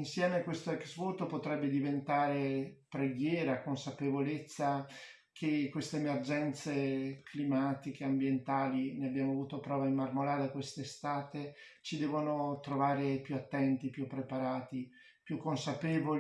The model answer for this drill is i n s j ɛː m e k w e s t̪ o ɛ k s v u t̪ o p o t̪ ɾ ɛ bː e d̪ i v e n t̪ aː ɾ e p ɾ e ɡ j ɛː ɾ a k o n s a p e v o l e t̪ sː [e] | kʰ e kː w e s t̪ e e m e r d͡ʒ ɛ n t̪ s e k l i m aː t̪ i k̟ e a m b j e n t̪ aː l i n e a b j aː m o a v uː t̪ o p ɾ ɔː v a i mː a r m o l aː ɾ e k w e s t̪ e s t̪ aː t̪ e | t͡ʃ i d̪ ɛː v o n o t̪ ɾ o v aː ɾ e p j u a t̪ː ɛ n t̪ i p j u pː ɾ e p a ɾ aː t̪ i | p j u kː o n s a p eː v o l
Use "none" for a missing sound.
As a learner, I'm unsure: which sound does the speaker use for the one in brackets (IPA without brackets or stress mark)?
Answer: a